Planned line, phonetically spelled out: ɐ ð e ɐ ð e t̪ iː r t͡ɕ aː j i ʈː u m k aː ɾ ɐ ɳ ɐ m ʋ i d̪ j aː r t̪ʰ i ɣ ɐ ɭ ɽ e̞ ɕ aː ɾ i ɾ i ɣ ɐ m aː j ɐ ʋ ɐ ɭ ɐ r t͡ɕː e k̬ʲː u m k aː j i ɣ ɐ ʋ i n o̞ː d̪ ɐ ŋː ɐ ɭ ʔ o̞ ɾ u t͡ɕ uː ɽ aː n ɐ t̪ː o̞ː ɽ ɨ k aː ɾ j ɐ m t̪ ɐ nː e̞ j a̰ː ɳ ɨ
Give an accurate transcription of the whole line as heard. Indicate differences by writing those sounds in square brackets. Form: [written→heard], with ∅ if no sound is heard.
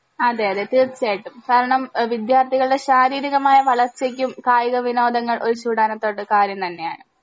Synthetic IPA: ɐ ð e ɐ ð e t̪ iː r t͡ɕ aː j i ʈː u m k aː ɾ ɐ ɳ ɐ m ʋ i d̪ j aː r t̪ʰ i ɣ ɐ ɭ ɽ e̞ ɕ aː ɾ [i→iː] ɾ i ɣ ɐ m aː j ɐ ʋ ɐ ɭ ɐ r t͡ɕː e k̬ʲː u m k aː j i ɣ ɐ ʋ i n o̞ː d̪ ɐ ŋː ɐ ɭ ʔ o̞ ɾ u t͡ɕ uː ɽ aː n ɐ t̪ː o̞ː ɽ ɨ k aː ɾ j ɐ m t̪ ɐ nː e̞ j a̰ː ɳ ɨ